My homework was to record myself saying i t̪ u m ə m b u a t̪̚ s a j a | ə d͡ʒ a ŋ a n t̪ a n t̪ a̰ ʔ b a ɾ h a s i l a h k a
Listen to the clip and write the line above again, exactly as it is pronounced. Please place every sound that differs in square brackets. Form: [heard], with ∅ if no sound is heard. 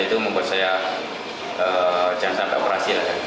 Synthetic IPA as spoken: i t̪ u m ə m b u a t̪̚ s a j a | ə d͡ʒ a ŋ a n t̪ a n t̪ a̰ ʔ b [ə] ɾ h a s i l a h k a